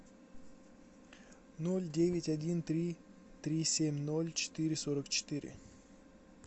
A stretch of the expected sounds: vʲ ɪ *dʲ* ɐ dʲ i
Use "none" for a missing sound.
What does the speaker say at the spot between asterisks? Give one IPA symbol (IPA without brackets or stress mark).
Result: tʲ